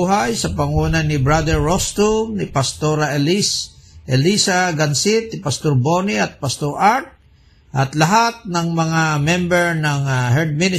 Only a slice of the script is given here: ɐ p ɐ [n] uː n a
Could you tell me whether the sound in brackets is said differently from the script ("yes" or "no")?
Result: yes